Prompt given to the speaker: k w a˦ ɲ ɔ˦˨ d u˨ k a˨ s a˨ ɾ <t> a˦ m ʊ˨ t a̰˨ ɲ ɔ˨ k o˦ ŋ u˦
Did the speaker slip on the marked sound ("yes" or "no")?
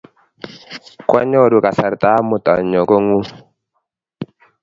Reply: no